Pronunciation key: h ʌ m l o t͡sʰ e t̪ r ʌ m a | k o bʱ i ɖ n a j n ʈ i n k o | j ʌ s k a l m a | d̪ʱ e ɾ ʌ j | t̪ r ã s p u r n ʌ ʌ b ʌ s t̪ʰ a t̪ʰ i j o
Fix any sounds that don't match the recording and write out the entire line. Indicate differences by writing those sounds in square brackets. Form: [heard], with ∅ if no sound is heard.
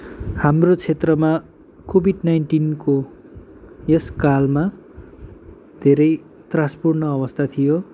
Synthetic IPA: h [a] m [r] o t͡sʰ e t̪ r ʌ m a | k o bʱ i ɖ n a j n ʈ i n k o | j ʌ s k a l m a | d̪ʱ e ɾ ʌ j | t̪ r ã s p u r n ʌ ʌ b ʌ s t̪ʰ a t̪ʰ i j o